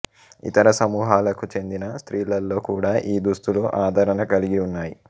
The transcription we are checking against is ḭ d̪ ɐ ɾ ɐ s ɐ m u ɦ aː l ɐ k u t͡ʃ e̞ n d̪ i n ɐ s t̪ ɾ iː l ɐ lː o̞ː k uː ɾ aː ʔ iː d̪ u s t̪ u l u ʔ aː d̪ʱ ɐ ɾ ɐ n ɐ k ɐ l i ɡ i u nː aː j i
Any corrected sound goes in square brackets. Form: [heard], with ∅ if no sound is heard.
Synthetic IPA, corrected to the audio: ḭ [t̪] ɐ ɾ ɐ s ɐ m [uː] ɦ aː l ɐ k u t͡ʃ e̞ n d̪ i n ɐ s t̪ ɾ iː l ɐ lː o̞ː k uː [ɽ] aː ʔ iː d̪ u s t̪ u l u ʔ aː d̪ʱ ɐ ɾ ɐ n ɐ k ɐ l i ɡ i u nː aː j i